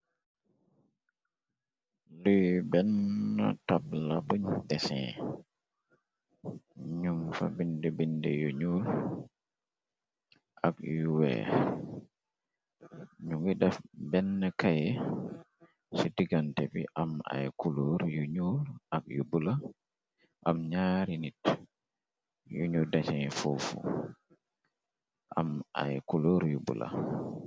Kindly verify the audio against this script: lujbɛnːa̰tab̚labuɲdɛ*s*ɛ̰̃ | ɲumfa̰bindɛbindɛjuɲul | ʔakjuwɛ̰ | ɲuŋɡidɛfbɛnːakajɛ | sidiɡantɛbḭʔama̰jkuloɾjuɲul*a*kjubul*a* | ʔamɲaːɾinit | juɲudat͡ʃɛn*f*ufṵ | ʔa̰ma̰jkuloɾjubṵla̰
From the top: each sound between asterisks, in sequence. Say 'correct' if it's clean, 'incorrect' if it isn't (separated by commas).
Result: correct, correct, correct, correct